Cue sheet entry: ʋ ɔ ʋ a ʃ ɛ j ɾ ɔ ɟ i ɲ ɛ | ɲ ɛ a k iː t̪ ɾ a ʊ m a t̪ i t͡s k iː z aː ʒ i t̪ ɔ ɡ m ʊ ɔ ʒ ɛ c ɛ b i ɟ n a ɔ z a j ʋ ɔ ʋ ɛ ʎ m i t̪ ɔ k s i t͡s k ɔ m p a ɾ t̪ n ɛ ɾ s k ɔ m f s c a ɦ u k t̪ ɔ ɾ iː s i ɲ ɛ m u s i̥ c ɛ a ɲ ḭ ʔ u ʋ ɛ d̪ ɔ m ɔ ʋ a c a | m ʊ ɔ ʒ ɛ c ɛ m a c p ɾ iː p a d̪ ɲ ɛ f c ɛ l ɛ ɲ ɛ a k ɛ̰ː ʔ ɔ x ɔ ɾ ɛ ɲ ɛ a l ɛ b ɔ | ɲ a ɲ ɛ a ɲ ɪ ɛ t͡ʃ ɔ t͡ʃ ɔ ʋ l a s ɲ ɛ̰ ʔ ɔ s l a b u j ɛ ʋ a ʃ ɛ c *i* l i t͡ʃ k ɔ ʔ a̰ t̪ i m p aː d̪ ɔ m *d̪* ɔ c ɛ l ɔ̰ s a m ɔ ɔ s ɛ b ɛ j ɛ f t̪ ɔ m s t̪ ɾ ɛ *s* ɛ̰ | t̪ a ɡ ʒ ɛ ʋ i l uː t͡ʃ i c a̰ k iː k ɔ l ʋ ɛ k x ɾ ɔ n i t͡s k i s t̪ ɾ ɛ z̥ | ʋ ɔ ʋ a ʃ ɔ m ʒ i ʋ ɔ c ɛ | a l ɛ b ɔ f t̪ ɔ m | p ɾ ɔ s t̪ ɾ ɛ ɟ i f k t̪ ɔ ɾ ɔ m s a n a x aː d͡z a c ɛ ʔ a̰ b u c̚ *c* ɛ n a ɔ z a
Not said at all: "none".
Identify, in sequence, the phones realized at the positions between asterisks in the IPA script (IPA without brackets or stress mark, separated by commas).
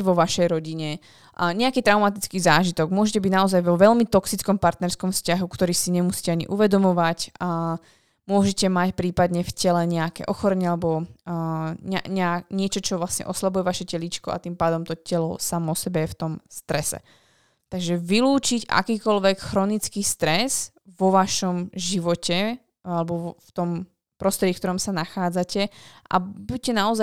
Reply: ɛ, t̪, s, c